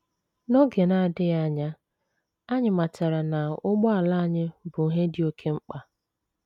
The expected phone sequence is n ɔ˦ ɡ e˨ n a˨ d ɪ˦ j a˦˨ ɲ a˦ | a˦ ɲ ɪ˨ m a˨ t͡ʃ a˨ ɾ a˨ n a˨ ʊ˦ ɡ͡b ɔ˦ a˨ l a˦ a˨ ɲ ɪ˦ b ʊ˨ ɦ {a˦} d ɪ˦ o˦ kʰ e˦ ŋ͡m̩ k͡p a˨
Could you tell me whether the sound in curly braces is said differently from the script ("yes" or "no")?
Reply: yes